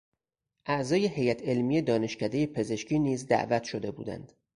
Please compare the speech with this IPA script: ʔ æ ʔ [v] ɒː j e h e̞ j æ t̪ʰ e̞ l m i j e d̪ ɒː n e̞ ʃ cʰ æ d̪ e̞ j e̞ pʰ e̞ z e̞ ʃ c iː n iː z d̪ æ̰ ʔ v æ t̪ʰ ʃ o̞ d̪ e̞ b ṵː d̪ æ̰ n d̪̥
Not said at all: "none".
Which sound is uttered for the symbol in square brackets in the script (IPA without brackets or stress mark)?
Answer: z